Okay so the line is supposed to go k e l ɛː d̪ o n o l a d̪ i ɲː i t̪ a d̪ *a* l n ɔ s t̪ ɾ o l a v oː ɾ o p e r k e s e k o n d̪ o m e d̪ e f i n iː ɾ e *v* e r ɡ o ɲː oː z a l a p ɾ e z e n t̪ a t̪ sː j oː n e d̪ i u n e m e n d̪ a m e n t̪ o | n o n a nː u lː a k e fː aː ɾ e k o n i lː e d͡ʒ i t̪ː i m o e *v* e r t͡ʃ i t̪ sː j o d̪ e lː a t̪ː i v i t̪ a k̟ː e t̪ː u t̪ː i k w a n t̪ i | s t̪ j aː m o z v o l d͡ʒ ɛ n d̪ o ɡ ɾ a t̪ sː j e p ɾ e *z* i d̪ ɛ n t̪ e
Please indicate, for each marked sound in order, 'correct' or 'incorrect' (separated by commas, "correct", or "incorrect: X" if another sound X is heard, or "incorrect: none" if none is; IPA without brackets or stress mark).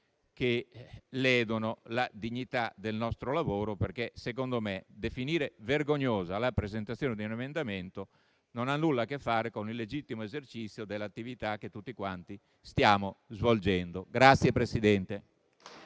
incorrect: e, correct, incorrect: z, incorrect: s